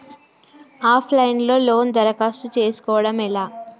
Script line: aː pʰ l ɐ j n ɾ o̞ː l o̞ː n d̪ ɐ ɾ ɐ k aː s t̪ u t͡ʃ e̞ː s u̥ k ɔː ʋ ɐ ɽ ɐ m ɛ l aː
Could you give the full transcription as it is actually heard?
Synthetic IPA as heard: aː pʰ l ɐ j n l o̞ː l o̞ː n d̪ ɐ ɾ ɐ k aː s t̪ u t͡ʃ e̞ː s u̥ k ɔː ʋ ɐ ɽ ɐ m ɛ l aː